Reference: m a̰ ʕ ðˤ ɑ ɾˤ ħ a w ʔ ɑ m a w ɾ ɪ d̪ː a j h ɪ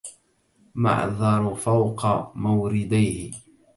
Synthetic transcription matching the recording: m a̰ ʕ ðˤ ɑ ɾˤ f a w q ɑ m a w ɾ ɪ d̪ a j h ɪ